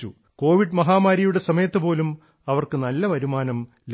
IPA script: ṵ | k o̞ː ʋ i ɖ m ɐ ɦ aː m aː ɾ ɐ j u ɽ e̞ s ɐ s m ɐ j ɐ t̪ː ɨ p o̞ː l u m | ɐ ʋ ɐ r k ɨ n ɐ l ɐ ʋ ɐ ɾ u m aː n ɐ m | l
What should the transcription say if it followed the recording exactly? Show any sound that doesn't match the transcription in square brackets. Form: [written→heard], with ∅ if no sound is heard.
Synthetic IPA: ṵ | k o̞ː ʋ i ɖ m ɐ ɦ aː m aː ɾ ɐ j u ɽ e̞ s ɐ [s→∅] m ɐ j ɐ t̪ː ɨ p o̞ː l u m | ɐ ʋ ɐ r k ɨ n ɐ [l→lː] ɐ ʋ ɐ ɾ u m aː n ɐ m | l

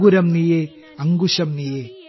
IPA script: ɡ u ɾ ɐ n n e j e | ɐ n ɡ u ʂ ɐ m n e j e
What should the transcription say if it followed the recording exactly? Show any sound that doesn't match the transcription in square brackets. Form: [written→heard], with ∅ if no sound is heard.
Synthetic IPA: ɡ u ɾ ɐ [n→m] n [e→i] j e | ɐ [n→ŋ] ɡ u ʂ ɐ m n [e→i] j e

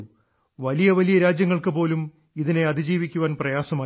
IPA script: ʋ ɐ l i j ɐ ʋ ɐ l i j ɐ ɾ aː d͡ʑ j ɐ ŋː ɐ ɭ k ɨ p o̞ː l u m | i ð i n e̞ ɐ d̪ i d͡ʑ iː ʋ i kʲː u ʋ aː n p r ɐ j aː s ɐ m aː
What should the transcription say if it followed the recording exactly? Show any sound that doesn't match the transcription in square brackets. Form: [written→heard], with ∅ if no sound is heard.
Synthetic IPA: ʋ ɐ l i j ɐ ʋ ɐ l i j ɐ ɾ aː d͡ʑ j ɐ ŋː ɐ ɭ k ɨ p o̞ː l u m | i ð i n e̞ ɐ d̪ i d͡ʑ iː ʋ i kʲː u ʋ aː n p r ɐ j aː s ɐ m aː

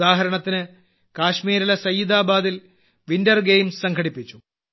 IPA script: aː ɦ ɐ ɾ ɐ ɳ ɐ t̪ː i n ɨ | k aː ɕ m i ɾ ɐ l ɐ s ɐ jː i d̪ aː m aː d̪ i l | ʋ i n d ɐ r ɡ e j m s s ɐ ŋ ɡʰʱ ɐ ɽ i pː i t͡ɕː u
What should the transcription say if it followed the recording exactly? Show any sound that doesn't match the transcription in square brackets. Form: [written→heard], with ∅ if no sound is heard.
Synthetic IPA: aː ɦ ɐ ɾ ɐ ɳ ɐ t̪ː i n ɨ | k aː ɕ m [i→iː] ɾ ɐ l ɐ s ɐ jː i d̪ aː [m→b] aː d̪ i l | ʋ i n d ɐ r ɡ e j m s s ɐ ŋ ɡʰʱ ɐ ɽ i pː i t͡ɕː u

